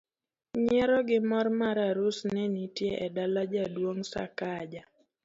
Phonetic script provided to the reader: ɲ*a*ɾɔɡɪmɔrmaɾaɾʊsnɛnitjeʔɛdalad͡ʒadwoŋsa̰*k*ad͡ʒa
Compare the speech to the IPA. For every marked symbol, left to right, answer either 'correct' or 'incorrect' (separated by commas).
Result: incorrect, correct